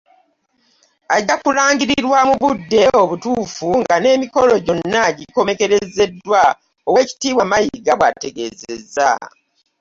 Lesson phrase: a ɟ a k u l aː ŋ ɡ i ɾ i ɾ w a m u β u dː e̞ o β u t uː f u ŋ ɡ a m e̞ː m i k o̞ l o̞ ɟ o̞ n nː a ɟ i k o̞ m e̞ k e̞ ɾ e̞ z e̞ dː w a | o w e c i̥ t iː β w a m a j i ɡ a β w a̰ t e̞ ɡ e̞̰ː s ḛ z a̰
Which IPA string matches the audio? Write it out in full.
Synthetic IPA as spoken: a ɟ a k u l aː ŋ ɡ i ɾ i ɾ w a m u β u dː e̞ o β u t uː f u ŋ ɡ a n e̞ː m i k o̞ l o̞ ɟ o̞ n nː a ɟ i k o̞ m e̞ k e̞ ɾ e̞ z e̞ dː w a | o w e c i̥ t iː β w a m a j i ɡ a β w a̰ t e̞ ɡ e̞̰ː z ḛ z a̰